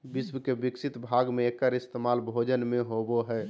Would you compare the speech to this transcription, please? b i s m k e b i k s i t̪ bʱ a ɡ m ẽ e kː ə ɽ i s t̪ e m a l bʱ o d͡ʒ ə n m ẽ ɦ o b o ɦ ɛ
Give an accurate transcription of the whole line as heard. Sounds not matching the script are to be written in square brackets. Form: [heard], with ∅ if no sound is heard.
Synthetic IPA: b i s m k e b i k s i t̪ bʱ a ɡ m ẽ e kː ə [ɾ] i s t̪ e m a l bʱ o d͡ʒ ə n m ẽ ɦ o b o ɦ ɛ